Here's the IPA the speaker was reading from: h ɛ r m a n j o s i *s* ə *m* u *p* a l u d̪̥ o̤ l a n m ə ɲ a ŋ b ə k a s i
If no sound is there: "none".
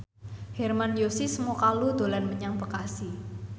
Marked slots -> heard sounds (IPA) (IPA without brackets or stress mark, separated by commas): s, m, k